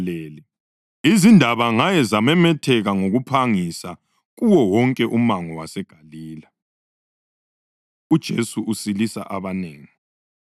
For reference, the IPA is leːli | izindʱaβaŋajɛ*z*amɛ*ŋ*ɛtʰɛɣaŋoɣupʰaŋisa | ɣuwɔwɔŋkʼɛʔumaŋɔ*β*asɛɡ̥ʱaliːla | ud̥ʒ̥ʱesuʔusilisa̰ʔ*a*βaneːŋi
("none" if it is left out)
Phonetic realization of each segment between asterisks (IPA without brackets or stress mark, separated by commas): z, m, w, a